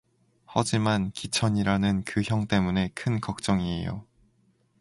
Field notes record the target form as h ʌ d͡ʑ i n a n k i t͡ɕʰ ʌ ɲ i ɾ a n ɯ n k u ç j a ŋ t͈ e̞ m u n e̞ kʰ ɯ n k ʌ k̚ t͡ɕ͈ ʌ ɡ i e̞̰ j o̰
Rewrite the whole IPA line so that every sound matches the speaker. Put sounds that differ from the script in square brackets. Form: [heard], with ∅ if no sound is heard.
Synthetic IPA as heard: h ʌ d͡ʑ i [m] a n k i t͡ɕʰ ʌ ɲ i ɾ a n ɯ n k [ɯ] ç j [ʌ] ŋ t͈ e̞ m u n e̞ kʰ ɯ n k ʌ k̚ t͡ɕ͈ ʌ [ŋ] i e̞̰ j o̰

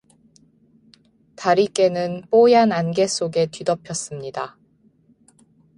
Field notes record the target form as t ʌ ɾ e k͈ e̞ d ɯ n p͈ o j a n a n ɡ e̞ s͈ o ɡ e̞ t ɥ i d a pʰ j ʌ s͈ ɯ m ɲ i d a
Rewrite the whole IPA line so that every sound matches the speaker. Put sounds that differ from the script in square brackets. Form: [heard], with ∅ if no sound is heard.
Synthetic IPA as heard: t [a] ɾ [i] k͈ e̞ [n] ɯ n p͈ o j a n a n ɡ e̞ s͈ o ɡ e̞ t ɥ i d [ʌ] pʰ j ʌ s͈ ɯ m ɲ i d a

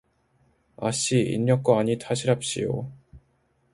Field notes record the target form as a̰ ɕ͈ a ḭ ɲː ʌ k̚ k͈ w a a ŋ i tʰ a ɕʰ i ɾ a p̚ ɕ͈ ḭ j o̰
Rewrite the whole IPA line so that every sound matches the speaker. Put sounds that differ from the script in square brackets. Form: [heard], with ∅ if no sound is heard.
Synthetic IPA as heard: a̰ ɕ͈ [i] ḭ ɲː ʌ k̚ k͈ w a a [ɲ] i tʰ a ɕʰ i ɾ a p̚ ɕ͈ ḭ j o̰

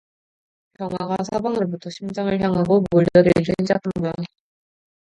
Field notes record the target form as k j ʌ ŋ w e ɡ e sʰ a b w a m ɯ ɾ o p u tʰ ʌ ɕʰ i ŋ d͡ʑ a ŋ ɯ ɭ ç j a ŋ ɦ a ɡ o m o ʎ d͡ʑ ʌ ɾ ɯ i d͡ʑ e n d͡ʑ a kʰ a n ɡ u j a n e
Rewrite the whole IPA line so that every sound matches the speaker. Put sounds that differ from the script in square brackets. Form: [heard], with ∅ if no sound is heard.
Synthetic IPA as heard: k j ʌ ŋ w [a] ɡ [a] sʰ a b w a [ŋ] ɯ ɾ o [b] u tʰ ʌ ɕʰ i [m] d͡ʑ a ŋ ɯ ɭ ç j a ŋ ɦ a ɡ o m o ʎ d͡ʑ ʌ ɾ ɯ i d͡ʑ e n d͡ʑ a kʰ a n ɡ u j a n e

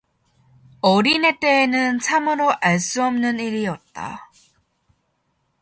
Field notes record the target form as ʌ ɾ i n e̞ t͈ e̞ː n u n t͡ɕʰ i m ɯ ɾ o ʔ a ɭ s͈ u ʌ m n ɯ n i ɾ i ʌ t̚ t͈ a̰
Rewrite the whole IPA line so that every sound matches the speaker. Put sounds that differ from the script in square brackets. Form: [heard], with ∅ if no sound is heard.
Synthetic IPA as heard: ʌ ɾ i n e̞ t͈ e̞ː n [ɯ] n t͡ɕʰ [a] m ɯ ɾ o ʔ a ɭ s͈ u ʌ m n ɯ n i ɾ i ʌ t̚ t͈ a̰

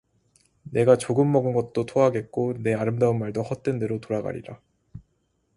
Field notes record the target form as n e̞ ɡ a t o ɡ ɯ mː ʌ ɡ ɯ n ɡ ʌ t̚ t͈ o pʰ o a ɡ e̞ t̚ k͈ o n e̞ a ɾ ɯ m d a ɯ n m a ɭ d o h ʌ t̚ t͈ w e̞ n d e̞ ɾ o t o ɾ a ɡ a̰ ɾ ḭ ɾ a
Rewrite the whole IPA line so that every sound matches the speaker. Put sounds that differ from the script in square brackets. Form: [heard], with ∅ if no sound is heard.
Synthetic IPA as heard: n e̞ ɡ a [t͡ɕ] o ɡ ɯ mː ʌ ɡ ɯ n ɡ ʌ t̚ t͈ o [tʰ] o a ɡ e̞ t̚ k͈ o n e̞ a ɾ ɯ m d a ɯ n m a ɭ d o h ʌ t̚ t͈ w e̞ n d e̞ ɾ o t o ɾ a ɡ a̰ ɾ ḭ ɾ a

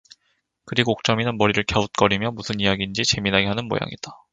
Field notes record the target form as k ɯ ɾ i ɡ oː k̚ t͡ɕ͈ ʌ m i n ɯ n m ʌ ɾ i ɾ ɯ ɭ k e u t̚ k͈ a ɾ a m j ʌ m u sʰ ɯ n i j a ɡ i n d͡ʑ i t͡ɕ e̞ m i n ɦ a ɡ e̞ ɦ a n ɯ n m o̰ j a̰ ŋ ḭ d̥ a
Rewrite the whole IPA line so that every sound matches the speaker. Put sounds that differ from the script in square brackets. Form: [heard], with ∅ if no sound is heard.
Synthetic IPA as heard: k ɯ ɾ i ɡ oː k̚ t͡ɕ͈ ʌ m i n ɯ n m ʌ ɾ i ɾ ɯ ɭ k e u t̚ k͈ [ʌ] ɾ [i] m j ʌ m u sʰ ɯ n i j a ɡ i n d͡ʑ i t͡ɕ e̞ m i n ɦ a ɡ e̞ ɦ a n ɯ n m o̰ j a̰ ŋ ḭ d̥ a

